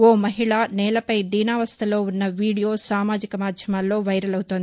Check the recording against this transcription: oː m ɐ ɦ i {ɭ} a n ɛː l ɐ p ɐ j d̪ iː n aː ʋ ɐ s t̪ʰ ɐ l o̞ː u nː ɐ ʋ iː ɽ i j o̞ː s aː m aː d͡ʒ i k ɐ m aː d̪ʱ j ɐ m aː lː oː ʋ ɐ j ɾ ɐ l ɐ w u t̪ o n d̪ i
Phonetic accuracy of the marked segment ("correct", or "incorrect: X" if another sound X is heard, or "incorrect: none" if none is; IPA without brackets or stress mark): correct